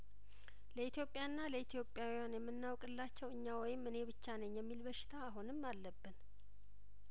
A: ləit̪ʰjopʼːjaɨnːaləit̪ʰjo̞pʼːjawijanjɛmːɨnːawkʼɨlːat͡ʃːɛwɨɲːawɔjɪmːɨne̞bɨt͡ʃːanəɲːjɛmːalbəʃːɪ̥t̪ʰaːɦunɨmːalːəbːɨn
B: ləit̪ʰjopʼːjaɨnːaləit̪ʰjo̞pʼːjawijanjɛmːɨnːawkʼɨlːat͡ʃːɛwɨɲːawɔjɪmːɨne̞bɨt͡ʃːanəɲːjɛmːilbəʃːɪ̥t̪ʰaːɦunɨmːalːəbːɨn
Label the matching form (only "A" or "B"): B